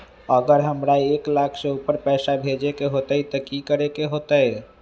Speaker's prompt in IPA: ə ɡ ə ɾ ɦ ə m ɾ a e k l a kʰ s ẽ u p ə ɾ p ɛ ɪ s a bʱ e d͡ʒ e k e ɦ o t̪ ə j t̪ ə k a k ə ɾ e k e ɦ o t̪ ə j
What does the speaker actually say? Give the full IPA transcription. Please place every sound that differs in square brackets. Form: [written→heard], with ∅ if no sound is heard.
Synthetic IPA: ə ɡ ə ɾ ɦ ə m ɾ a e k l a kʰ s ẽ u p ə ɾ p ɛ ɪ s a bʱ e d͡ʒ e k e ɦ o t̪ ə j t̪ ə k [a→i] k ə ɾ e k e ɦ o t̪ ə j

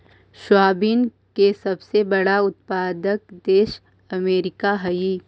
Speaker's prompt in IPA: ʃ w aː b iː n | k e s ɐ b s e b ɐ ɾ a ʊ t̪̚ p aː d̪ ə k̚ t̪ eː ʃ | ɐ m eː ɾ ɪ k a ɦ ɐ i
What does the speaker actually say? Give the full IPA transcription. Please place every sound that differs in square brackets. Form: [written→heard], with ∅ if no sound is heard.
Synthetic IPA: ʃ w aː b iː n | k e s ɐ b s e b ɐ [ɾ→ɽ] a ʊ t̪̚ p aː d̪ ə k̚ [t̪→d̪] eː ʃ | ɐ m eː ɾ ɪ k a ɦ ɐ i

